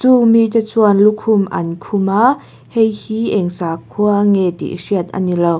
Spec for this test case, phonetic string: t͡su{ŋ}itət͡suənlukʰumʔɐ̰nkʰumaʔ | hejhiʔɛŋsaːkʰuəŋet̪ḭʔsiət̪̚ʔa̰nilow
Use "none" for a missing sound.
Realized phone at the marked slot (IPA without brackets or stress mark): m